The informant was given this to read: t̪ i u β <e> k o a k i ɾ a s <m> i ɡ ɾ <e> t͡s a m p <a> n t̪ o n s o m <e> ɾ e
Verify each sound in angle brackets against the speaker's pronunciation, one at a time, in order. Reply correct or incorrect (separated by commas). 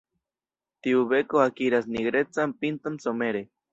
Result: correct, incorrect, correct, incorrect, correct